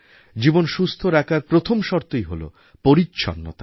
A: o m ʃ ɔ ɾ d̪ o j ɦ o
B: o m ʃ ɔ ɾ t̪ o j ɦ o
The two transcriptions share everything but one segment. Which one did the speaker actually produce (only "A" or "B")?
B